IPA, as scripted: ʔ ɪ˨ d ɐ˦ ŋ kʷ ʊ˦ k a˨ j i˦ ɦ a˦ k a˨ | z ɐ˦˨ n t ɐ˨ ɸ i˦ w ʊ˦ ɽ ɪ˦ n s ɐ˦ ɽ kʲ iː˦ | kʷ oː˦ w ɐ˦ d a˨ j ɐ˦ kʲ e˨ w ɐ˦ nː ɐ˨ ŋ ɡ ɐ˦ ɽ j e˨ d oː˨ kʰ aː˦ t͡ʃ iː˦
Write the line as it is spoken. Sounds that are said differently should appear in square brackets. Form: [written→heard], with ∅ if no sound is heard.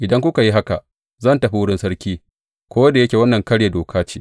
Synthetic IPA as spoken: ʔ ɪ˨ d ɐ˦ ŋ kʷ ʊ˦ k a˨ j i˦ ɦ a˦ k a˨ | z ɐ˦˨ n t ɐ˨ ɸ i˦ w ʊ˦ ɽ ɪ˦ n s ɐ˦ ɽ kʲ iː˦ | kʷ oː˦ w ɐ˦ d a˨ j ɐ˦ kʲ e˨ w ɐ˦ nː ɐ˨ ŋ [ɡ→k] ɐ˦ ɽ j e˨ d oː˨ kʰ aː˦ t͡ʃ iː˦